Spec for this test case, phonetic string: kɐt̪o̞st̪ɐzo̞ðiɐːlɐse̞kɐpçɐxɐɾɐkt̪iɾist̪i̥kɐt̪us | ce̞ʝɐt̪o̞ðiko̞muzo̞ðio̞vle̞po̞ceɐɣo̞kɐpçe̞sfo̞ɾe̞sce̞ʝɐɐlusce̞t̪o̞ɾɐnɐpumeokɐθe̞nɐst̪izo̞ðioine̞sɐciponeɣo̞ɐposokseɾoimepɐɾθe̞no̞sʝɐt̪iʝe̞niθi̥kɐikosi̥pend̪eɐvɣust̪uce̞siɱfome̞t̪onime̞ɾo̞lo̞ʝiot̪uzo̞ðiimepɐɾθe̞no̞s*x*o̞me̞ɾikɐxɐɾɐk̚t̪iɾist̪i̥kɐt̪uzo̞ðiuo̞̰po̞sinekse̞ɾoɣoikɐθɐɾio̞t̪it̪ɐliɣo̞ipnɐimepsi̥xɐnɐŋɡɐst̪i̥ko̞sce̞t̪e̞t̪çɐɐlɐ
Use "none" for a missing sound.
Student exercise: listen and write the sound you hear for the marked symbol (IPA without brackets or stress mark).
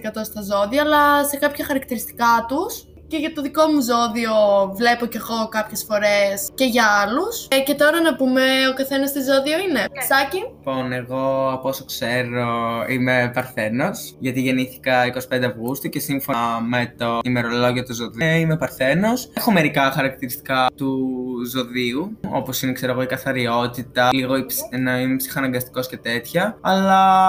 x